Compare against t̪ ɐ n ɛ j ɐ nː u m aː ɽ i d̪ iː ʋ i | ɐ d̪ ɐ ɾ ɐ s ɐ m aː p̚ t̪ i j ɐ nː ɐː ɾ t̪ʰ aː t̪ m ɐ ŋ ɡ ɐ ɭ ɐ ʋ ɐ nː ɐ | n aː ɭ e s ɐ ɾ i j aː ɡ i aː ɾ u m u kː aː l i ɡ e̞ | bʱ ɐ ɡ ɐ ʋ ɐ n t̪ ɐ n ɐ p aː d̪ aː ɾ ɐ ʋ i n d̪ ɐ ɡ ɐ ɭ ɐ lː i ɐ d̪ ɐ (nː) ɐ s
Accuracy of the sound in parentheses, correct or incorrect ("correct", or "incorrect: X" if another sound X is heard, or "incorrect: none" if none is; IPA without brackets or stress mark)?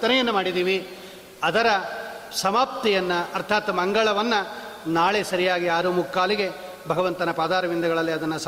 correct